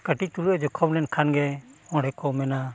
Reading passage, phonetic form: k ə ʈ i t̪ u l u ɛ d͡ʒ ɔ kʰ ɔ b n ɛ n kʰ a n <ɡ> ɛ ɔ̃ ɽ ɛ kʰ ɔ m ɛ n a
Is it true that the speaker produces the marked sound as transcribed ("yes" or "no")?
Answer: yes